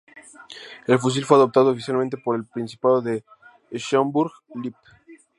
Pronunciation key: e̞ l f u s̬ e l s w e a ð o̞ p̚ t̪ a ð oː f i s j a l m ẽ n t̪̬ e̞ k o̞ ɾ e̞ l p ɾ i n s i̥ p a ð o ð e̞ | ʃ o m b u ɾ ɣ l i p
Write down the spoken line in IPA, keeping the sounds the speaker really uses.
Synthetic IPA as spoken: e̞ l f u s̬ i l f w e a ð o̞ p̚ t̪ a ð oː f i s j a l m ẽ n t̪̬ e̞ p o̞ ɾ e̞ l p ɾ i n s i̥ p a ð o ð e̞ | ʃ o m b u ɾ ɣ l i p